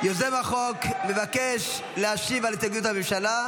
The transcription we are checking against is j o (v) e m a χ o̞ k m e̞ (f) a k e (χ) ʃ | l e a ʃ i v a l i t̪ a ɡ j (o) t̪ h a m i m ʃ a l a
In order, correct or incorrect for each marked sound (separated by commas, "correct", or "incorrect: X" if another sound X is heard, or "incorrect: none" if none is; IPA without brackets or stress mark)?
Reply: incorrect: z, incorrect: v, incorrect: none, incorrect: u